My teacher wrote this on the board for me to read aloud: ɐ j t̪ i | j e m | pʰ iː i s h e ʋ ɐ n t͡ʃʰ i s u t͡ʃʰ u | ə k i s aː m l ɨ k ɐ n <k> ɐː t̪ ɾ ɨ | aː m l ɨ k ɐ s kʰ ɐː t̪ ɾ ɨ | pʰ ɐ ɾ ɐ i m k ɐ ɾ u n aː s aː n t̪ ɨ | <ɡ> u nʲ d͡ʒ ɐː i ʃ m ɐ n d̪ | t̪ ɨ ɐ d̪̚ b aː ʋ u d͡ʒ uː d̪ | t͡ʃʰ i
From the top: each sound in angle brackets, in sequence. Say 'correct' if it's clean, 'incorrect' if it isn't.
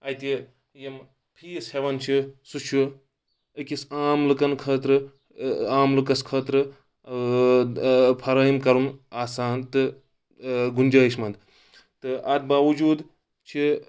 incorrect: kʰ, correct

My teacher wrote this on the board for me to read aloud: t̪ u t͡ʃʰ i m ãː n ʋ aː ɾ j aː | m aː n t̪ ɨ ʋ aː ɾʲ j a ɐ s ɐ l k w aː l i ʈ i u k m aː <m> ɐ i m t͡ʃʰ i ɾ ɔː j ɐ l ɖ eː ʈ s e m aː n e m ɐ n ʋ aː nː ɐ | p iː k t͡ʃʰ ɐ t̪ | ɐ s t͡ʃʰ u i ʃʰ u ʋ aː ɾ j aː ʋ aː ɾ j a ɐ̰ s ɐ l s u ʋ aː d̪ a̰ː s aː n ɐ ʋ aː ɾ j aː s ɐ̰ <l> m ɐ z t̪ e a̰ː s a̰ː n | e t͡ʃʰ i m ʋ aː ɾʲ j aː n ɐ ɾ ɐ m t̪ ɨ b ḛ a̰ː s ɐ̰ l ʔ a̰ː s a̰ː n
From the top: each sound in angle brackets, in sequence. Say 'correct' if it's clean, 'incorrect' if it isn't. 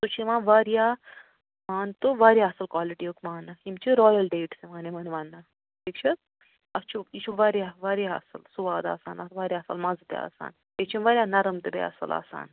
incorrect: n, correct

